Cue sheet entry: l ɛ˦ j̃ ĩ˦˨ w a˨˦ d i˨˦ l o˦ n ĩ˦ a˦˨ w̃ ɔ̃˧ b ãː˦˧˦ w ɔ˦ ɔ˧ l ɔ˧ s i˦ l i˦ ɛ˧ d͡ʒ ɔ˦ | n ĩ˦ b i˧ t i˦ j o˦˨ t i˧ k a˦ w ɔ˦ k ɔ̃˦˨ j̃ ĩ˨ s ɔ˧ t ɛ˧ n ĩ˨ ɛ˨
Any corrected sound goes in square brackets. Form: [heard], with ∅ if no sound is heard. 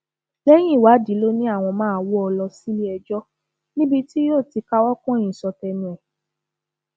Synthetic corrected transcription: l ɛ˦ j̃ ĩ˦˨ w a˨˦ d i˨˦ l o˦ n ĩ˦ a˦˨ w̃ ɔ̃˧ [m] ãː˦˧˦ w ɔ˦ ɔ˧ l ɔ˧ s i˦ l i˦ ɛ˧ d͡ʒ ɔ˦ | n ĩ˦ b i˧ t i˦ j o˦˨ t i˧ k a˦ w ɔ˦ k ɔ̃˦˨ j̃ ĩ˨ s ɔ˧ t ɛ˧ n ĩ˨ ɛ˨